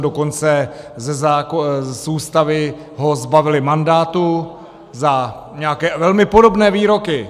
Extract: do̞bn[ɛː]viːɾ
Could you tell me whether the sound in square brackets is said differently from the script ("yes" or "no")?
no